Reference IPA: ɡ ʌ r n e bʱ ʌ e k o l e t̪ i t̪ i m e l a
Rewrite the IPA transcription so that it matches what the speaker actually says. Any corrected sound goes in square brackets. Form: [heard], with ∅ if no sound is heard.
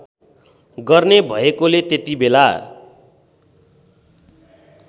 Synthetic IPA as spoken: ɡ ʌ r n e bʱ ʌ e k o l e t̪ [e] t̪ i [b] e l a